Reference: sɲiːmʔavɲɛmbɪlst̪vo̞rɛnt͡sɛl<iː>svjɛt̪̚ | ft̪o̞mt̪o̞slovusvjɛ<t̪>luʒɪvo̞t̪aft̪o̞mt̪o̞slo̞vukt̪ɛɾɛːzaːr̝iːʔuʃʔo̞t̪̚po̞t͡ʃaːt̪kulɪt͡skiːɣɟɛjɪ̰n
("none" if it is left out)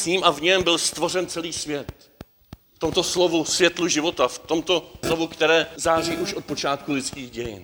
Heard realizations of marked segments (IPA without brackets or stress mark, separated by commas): iː, t̪